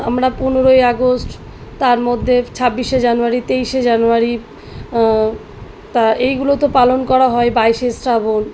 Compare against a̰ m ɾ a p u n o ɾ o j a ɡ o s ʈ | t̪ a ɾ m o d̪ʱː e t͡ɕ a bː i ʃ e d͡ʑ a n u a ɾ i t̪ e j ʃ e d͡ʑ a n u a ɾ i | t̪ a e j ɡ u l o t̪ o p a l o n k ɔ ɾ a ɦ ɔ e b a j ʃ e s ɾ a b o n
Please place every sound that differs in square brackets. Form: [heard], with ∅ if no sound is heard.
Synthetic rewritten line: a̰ m ɾ a p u n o ɾ o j a ɡ o s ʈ | t̪ a ɾ m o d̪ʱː e [t͡ɕʰ] a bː i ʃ e d͡ʑ a n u a ɾ i t̪ e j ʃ e d͡ʑ a n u a ɾ i | t̪ a e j ɡ u l o t̪ o p a l o n k ɔ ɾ a ɦ ɔ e b a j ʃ e s ɾ a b o n